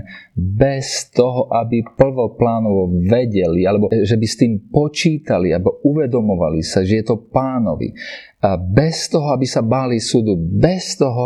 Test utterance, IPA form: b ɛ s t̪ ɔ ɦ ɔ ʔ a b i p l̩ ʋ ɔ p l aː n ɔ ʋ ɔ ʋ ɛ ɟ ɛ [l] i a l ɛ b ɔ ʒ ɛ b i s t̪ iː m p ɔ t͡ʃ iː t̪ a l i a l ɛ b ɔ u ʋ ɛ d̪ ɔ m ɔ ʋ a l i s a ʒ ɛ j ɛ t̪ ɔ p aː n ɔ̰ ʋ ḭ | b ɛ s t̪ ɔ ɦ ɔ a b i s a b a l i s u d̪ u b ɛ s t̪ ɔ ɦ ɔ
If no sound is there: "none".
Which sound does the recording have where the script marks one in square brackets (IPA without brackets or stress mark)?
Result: l